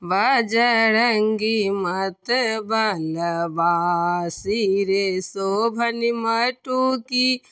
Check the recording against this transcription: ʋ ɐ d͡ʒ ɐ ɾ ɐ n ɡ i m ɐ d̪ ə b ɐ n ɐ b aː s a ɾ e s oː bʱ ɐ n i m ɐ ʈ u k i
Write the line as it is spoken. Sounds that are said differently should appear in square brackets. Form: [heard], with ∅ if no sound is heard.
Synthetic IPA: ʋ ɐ d͡ʒ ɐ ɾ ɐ [ŋ] ɡ i m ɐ [t̪] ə b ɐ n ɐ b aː s [i] ɾ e s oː bʱ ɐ n i m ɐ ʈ u k i